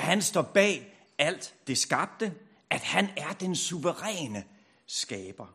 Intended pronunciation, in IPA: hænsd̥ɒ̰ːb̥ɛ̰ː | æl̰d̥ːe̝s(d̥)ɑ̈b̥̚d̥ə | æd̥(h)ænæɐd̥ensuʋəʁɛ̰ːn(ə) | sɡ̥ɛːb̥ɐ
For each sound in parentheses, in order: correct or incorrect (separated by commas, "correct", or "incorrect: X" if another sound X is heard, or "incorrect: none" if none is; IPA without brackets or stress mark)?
incorrect: ɡ̥, correct, correct